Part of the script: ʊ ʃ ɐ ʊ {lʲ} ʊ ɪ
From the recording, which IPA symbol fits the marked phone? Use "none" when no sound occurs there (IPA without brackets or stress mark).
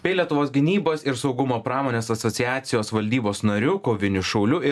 lʲ